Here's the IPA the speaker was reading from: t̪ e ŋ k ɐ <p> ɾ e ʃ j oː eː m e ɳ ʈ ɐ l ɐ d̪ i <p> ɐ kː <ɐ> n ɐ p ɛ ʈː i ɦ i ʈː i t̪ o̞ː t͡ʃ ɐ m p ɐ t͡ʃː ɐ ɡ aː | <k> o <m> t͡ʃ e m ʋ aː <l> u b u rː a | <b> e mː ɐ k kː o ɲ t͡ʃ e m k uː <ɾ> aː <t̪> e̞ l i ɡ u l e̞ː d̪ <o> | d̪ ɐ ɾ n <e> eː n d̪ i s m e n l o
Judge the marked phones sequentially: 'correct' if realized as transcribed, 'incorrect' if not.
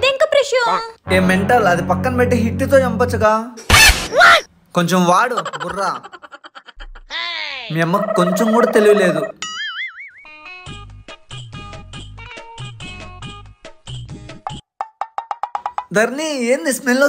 correct, correct, correct, correct, incorrect, incorrect, incorrect, incorrect, correct, incorrect, incorrect

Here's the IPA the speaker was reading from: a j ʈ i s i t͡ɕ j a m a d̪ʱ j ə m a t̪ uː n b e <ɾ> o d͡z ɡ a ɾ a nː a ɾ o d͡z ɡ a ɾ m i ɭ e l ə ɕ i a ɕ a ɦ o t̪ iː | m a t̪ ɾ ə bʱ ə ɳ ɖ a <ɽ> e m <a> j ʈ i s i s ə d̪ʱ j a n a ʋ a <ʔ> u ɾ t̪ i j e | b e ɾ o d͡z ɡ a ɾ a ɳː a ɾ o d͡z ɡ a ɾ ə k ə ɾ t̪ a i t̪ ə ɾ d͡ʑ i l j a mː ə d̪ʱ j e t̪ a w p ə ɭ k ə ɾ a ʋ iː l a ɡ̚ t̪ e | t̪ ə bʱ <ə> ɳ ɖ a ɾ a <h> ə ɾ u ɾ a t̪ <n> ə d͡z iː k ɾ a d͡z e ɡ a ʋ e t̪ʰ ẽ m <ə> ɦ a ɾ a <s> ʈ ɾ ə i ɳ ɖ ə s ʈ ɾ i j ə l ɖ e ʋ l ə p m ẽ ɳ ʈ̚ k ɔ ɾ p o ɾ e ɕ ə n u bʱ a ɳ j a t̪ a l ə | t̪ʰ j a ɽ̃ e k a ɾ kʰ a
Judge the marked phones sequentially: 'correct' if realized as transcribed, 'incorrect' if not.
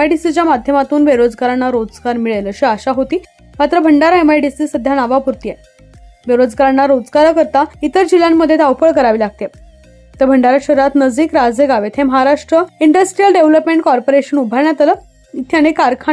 correct, incorrect, correct, incorrect, correct, incorrect, correct, correct, incorrect

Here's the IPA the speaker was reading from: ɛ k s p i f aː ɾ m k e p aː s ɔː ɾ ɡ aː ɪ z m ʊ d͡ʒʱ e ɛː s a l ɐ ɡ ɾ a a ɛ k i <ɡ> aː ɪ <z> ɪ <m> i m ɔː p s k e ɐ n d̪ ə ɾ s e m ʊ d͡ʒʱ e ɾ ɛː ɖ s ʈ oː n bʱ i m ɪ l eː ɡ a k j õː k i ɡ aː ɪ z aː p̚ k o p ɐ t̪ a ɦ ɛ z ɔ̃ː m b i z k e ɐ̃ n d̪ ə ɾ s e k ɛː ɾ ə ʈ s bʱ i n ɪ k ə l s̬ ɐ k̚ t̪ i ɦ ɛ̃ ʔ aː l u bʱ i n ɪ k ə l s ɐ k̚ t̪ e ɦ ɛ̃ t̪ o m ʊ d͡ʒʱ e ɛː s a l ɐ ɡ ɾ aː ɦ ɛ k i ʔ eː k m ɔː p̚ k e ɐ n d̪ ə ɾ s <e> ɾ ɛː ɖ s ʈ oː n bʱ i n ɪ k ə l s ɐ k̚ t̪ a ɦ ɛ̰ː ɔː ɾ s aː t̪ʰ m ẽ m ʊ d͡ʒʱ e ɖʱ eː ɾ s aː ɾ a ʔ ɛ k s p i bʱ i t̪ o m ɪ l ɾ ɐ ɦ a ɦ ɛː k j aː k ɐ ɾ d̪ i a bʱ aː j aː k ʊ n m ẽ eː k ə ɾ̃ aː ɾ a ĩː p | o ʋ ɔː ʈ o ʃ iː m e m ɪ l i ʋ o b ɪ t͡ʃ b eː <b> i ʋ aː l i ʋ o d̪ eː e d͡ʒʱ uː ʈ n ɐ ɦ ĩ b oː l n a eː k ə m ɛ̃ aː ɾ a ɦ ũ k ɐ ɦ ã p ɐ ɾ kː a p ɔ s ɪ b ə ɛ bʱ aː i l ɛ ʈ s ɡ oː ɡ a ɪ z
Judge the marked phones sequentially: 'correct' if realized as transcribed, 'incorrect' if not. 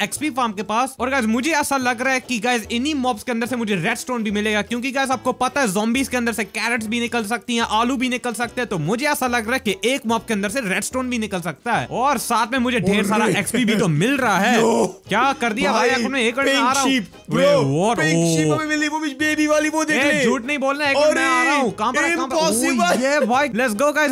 correct, correct, incorrect, correct, correct

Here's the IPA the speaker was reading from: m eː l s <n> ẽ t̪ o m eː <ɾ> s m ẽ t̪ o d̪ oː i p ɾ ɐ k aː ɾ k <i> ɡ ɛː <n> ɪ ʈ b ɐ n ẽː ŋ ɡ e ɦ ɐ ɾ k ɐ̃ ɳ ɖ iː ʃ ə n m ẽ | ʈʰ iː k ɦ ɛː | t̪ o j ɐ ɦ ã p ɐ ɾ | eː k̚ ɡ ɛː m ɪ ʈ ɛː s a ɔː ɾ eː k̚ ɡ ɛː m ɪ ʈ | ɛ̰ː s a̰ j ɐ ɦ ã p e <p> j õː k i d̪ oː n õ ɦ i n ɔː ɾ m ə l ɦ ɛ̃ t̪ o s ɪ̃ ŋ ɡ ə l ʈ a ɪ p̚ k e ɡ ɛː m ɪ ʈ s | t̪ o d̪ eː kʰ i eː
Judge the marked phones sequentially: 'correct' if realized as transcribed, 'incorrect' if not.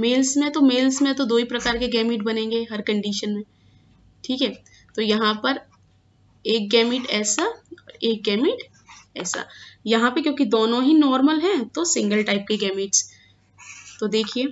incorrect, incorrect, incorrect, incorrect, incorrect

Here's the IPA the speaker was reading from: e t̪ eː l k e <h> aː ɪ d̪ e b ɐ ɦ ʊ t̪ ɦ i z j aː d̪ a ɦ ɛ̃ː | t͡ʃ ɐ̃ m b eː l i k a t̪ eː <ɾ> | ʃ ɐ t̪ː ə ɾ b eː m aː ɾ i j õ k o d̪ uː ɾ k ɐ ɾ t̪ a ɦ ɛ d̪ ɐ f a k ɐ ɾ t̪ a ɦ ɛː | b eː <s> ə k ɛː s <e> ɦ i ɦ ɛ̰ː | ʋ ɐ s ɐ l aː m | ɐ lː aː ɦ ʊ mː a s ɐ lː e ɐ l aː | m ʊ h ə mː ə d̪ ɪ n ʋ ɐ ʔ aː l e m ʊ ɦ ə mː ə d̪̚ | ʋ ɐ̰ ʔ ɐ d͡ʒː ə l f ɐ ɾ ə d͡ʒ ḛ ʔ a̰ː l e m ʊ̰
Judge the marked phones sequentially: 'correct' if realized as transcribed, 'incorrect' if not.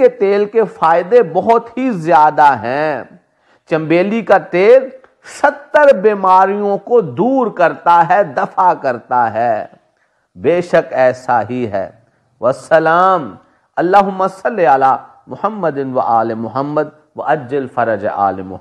incorrect, incorrect, incorrect, incorrect

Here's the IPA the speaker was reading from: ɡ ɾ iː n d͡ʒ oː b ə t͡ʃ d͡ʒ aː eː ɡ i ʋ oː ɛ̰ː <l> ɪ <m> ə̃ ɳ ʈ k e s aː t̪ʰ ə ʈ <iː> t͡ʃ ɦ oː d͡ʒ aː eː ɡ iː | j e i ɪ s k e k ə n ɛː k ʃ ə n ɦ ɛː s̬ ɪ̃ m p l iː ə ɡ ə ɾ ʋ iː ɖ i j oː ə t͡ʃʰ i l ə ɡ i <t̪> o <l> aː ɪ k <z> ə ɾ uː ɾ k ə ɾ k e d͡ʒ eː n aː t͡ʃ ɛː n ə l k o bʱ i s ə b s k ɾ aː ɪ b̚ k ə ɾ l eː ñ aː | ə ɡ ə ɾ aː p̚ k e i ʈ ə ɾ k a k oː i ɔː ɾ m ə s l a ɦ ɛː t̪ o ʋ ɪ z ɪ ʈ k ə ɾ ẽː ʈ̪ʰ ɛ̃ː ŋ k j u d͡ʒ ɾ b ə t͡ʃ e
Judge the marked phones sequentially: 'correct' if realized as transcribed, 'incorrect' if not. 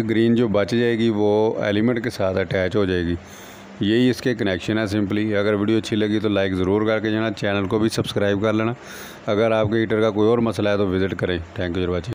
correct, correct, incorrect, correct, correct, correct

